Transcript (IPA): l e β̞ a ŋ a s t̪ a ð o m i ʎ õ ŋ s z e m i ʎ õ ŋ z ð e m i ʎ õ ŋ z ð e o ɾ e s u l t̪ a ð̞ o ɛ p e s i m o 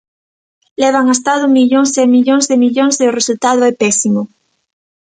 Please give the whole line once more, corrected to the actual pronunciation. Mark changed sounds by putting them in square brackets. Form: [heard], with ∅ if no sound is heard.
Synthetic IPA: l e β̞ a ŋ a s t̪ a ð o m i ʎ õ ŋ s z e m i ʎ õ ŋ z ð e m i ʎ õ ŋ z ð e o [r] e s u l t̪ a ð̞ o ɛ p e s i m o